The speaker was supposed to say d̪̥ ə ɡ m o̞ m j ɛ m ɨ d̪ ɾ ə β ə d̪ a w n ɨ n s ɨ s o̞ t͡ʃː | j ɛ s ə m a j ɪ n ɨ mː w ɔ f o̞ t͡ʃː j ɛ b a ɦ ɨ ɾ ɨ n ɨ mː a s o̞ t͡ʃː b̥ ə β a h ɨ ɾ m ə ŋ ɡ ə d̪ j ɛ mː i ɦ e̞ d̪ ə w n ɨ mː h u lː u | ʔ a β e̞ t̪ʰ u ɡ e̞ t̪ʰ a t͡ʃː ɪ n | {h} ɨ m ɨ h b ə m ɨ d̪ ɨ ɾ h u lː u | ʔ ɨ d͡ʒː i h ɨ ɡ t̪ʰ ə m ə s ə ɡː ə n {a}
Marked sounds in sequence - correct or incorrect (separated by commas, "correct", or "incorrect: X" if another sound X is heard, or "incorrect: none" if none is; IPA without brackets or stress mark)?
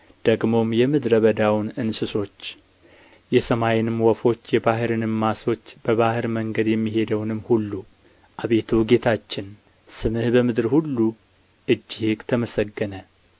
incorrect: s, incorrect: ə